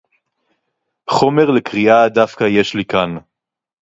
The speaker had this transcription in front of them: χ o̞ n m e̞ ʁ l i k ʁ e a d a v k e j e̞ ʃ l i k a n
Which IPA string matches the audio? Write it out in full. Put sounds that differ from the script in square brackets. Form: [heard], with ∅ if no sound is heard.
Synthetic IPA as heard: χ o̞ [∅] m e̞ ʁ l [e] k ʁ [i] a d a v k [a] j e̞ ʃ l i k a n